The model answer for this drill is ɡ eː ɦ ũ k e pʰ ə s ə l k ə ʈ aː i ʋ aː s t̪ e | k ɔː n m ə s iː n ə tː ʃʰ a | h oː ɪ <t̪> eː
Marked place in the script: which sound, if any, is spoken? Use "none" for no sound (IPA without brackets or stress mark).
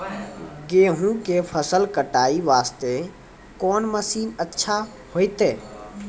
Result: t̪